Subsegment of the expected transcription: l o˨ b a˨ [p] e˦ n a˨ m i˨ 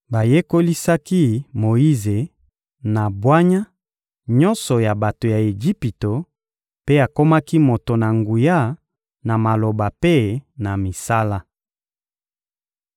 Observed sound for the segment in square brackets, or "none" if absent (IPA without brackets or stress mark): p